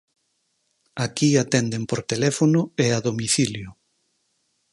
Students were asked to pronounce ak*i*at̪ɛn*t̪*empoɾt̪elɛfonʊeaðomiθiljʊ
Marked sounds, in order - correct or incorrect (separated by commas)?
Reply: correct, incorrect